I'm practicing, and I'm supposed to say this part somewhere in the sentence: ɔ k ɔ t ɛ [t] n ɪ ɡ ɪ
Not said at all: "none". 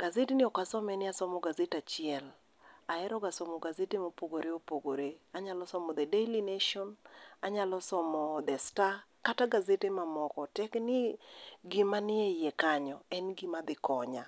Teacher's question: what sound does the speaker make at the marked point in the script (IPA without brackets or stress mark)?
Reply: k